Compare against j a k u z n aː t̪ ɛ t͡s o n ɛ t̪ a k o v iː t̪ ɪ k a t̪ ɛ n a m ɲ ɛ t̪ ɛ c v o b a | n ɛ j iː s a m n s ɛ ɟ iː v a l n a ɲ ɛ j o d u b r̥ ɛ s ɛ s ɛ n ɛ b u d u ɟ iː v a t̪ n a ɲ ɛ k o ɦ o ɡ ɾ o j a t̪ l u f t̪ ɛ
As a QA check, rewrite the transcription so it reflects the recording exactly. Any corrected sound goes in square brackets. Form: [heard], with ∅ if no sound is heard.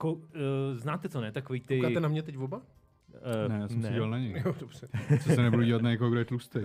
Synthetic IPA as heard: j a k [o] z n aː t̪ ɛ t͡s o n ɛ t̪ a k o v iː t̪ ɪ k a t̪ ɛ n a m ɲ ɛ t̪ ɛ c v o b a | n ɛ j [aː] s [ɛ] m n s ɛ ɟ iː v a l n a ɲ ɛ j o d [o] b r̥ ɛ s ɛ s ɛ n ɛ b u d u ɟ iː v a t̪ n a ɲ ɛ k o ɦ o ɡ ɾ o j [ɛ] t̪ l u [s] t̪ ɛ